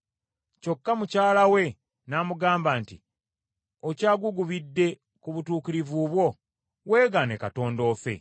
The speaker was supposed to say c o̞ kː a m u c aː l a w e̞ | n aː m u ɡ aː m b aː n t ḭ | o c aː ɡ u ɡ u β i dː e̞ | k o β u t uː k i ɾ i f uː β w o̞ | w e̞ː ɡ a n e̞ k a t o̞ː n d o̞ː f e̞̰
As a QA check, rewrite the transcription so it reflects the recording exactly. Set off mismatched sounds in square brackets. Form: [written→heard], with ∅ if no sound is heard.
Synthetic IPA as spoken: c o̞ kː a m u c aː l a w e̞ | n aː m u ɡ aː m b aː n t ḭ | o c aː ɡ u ɡ u β i dː e̞ | k [o→u] β u t uː k i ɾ i [f→v] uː β w o̞ | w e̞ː ɡ a n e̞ k a t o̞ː n d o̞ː f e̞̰